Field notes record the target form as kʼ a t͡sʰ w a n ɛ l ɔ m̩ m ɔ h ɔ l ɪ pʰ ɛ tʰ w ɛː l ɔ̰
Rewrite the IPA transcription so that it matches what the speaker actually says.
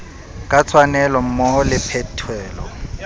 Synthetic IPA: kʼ a t͡sʰ w a n ɛ l ɔ m̩ m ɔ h ɔ l ɪ pʰ ɛ tʰ w ɛː l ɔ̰